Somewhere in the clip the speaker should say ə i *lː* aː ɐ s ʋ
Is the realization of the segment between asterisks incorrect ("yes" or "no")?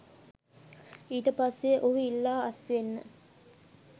no